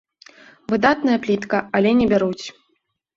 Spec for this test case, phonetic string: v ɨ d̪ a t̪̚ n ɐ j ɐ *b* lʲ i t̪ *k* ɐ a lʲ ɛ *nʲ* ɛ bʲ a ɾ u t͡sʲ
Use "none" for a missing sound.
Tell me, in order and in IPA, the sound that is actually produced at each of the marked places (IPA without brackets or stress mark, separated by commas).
p, k, nʲ